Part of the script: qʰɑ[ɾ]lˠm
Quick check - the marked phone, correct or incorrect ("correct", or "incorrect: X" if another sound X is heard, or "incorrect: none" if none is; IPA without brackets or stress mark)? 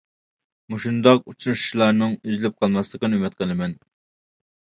incorrect: none